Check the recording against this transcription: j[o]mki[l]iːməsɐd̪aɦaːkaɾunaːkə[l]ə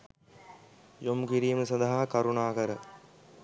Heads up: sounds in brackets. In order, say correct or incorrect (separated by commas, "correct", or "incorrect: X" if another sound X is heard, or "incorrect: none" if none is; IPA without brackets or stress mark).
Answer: correct, incorrect: ɾ, incorrect: ɾ